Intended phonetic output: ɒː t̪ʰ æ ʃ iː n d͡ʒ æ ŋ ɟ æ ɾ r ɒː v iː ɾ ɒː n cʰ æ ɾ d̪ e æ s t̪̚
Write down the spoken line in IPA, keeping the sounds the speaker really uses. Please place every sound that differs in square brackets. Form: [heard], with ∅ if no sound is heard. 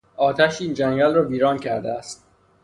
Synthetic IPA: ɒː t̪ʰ æ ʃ iː n d͡ʒ æ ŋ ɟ æ [l] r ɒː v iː ɾ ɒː n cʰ æ ɾ d̪ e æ s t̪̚